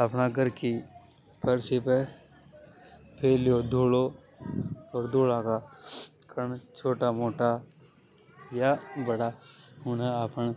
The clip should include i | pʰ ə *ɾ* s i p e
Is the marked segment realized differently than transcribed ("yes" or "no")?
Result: no